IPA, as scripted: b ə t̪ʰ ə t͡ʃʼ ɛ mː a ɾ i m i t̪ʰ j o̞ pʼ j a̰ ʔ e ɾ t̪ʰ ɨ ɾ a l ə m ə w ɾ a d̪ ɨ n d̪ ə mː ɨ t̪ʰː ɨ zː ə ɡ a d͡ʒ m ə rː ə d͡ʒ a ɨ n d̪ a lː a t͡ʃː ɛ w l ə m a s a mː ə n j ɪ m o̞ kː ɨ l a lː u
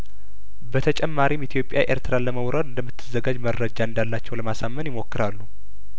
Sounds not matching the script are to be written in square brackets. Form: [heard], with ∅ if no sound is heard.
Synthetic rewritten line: b ə t̪ʰ ə t͡ʃʼ ɛ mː a ɾ i m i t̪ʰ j o̞ pʼ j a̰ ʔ e ɾ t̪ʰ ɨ ɾ a l ə m ə w ɾ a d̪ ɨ n d̪ ə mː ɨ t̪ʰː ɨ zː ə ɡ a d͡ʒ m ə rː ə d͡ʒ a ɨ n d̪ a lː a t͡ʃː ɛ w l ə m a s a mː ə n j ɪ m o̞ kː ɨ [ɾ] a lː u

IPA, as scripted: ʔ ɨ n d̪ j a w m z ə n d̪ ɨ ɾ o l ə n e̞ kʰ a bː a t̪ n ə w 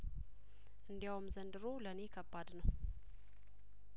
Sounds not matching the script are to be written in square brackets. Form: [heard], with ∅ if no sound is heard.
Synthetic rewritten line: ʔ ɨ n d̪ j a w m z ə n d̪ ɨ ɾ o l ə n e̞ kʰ [ə] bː a [d̪] n ə w

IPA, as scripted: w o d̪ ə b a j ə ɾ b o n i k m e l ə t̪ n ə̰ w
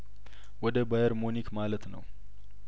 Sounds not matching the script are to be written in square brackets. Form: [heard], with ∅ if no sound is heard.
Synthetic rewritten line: w [ɔ] d̪ ə b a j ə ɾ [m] o n i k m [a] l ə t̪ n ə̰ w

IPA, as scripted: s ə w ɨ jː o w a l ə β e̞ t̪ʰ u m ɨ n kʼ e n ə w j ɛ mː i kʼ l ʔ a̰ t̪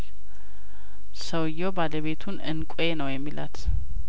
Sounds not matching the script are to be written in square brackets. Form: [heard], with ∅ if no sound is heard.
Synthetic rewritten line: s ə w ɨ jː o [b] a l ə β e̞ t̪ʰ u [n] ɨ n kʼ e n ə w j ɛ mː i [∅] l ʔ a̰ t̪

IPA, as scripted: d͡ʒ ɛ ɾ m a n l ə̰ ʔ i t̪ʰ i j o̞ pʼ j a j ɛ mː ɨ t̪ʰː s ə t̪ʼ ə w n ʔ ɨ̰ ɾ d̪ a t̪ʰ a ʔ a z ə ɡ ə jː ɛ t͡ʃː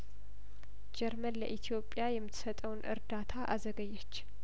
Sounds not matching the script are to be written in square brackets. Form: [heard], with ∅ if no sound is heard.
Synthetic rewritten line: d͡ʒ ɛ ɾ m [ə] n l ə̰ ʔ i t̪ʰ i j o̞ pʼ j a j ɛ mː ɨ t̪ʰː s ə t̪ʼ ə w n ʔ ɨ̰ ɾ d̪ a t̪ʰ a ʔ a z ə ɡ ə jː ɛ t͡ʃː

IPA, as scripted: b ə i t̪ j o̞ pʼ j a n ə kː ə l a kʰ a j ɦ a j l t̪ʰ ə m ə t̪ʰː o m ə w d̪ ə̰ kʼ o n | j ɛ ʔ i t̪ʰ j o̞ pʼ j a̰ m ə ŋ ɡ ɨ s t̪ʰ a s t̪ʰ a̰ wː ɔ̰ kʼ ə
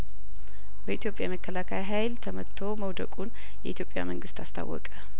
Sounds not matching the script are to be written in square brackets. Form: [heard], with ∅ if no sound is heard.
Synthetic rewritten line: b ə i t̪ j o̞ pʼ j a [m] ə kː ə l a kʰ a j ɦ a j l t̪ʰ ə m ə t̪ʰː o m ə w d̪ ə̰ kʼ [u] n | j ɛ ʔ i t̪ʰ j o̞ pʼ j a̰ m ə ŋ ɡ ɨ s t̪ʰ a s t̪ʰ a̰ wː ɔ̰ kʼ ə

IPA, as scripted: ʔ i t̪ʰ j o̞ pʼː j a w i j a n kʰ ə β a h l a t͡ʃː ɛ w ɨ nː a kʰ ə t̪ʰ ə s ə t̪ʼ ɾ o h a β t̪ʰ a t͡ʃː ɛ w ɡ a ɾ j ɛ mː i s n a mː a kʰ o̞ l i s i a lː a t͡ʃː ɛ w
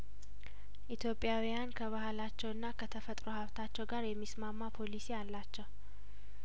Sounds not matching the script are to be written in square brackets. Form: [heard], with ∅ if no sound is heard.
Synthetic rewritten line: ʔ i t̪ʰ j o̞ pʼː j a w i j a n kʰ ə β a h l a t͡ʃː ɛ w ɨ nː a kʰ ə t̪ʰ ə [f] ə t̪ʼ ɾ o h a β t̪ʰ a t͡ʃː ɛ w ɡ a ɾ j ɛ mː i s [m] a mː a [pʰ] o̞ l i s i a lː a t͡ʃː ɛ w

